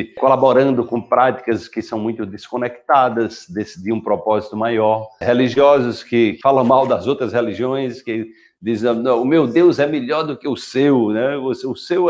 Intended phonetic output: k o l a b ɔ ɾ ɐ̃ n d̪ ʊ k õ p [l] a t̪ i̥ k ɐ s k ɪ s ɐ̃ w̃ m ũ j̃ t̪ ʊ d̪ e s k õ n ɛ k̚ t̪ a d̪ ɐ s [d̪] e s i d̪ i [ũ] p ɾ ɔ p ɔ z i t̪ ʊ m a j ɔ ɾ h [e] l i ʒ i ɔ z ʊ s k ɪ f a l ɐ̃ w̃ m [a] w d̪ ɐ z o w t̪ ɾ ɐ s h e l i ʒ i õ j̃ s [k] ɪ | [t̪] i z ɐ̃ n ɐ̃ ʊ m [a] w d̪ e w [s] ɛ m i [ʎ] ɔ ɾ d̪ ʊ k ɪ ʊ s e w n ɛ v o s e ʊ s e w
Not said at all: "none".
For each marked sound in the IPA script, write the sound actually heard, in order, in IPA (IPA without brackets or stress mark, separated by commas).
ɾ, d̪, ũ, e, a, k, d̪, e, z, ʎ